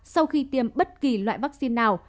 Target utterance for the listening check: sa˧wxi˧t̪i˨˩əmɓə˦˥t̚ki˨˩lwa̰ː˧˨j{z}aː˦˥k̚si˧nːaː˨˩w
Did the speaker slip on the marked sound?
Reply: yes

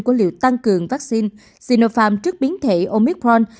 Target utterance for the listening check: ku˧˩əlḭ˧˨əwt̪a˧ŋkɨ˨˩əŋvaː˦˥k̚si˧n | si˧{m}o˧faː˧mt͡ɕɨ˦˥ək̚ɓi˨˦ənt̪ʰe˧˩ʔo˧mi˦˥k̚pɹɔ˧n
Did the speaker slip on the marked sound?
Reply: yes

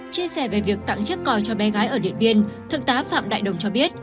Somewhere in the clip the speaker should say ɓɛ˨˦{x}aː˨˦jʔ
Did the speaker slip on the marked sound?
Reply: yes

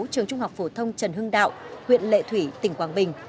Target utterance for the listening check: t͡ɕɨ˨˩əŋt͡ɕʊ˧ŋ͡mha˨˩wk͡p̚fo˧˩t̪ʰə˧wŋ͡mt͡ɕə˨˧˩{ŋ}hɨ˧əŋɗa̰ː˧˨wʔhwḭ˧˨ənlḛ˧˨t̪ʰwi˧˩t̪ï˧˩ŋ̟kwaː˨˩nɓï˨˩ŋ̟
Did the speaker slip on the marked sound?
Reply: yes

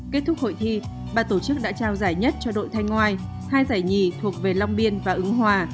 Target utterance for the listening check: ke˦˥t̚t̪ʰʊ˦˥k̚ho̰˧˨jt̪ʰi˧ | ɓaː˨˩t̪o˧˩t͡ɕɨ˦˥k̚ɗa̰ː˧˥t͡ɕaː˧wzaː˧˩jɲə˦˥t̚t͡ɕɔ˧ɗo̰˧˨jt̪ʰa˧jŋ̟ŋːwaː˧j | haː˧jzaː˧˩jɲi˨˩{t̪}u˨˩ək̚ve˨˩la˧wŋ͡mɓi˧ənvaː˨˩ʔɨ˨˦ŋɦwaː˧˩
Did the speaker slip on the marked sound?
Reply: yes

